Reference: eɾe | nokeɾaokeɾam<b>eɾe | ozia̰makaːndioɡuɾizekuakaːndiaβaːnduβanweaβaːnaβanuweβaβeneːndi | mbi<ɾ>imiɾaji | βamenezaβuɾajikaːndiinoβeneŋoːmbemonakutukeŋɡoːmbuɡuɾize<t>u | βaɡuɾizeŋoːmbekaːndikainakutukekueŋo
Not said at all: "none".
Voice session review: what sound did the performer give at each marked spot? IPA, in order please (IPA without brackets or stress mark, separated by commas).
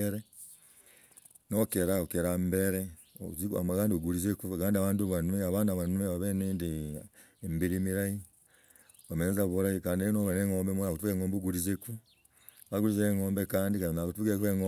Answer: b, ɾ, k